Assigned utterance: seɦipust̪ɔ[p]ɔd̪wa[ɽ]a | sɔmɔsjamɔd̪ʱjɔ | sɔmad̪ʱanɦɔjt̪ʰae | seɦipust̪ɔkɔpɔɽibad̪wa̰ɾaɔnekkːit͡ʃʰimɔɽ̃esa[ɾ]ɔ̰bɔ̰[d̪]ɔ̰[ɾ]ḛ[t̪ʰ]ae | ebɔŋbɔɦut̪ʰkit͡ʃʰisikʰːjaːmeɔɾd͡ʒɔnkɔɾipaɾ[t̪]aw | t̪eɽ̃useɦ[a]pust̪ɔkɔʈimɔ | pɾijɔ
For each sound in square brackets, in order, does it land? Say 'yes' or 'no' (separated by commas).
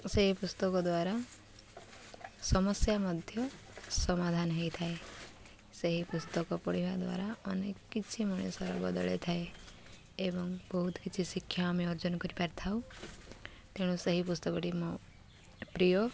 no, no, yes, yes, no, yes, no, no